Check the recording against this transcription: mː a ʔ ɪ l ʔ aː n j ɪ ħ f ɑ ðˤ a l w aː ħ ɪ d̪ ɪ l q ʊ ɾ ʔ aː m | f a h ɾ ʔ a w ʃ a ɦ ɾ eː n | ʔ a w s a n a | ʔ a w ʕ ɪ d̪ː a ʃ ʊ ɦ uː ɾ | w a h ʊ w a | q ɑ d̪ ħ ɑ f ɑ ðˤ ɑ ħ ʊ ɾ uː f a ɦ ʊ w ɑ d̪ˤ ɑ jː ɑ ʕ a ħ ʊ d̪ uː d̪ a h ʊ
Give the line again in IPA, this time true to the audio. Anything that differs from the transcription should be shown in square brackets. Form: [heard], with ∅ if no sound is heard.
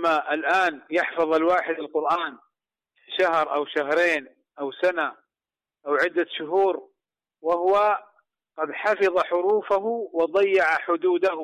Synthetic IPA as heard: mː a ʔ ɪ l ʔ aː n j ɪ ħ f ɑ ðˤ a l w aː ħ ɪ d̪ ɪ l q ʊ ɾ ʔ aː [n] | [ʃ] a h ɾ ʔ a w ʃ a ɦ ɾ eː n | ʔ a w s a n a | ʔ a w ʕ ɪ d̪ː a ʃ ʊ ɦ uː ɾ | w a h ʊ w a | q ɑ d̪ ħ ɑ f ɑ ðˤ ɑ ħ ʊ ɾ uː f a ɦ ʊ w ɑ d̪ˤ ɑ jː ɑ ʕ a ħ ʊ d̪ uː d̪ a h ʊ